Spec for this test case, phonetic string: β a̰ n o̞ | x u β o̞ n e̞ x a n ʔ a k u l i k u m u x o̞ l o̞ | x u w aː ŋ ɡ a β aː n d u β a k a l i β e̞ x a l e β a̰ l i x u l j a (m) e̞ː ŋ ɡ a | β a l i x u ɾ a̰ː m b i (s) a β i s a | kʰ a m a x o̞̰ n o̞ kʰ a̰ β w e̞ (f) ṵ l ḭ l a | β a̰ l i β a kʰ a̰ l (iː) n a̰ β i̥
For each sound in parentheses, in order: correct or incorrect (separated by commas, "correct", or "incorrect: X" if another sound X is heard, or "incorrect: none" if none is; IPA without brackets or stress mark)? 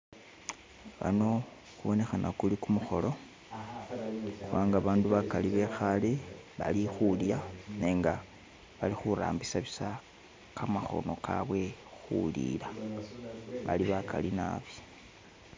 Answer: incorrect: n, correct, incorrect: x, incorrect: i